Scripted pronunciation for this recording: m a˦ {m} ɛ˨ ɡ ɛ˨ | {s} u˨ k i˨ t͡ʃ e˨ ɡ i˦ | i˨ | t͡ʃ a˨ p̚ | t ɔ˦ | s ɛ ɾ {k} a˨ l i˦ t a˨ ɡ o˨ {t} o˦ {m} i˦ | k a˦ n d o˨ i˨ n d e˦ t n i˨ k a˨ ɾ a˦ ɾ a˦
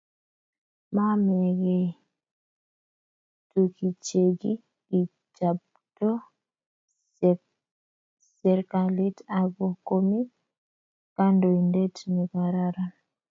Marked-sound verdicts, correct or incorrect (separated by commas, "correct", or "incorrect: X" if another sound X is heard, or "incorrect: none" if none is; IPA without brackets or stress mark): correct, incorrect: t, correct, incorrect: k, correct